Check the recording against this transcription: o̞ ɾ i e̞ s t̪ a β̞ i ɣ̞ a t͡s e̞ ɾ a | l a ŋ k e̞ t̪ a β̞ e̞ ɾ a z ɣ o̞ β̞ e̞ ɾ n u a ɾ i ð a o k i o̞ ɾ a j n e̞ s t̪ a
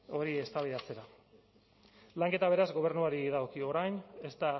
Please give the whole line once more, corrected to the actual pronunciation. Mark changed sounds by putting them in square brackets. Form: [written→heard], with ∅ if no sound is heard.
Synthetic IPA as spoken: o̞ ɾ i e̞ s t̪ a β̞ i [ɣ̞→ð̞] a t͡s e̞ ɾ a | l a ŋ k e̞ t̪ a β̞ e̞ ɾ a z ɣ o̞ β̞ e̞ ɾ n u a ɾ i ð a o k i o̞ ɾ a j n e̞ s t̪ a